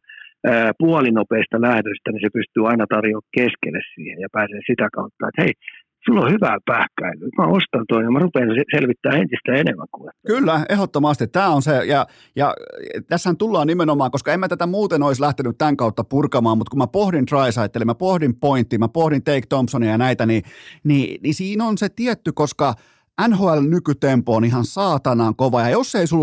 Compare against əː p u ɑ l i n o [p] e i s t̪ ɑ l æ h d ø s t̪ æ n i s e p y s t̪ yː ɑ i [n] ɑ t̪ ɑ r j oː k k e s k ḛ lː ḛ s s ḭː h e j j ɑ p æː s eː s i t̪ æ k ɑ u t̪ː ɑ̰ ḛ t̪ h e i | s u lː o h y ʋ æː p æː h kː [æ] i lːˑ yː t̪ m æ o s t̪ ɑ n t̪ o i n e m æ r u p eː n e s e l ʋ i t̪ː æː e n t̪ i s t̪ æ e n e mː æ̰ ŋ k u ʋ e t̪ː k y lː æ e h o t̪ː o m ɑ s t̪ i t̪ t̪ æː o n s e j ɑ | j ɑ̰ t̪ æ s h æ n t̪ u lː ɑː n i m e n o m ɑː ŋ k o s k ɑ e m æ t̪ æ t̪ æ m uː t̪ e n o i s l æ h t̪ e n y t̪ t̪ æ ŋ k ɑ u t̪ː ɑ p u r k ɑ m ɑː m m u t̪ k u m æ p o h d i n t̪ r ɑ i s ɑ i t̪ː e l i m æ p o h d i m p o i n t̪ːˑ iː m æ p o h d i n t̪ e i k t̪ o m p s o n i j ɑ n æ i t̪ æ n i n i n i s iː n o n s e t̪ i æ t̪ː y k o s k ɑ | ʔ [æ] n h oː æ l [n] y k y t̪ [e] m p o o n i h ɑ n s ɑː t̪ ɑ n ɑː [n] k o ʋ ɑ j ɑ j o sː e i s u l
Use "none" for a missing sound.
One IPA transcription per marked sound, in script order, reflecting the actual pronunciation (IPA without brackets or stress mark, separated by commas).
p, n, æ, æ, n, e, ŋ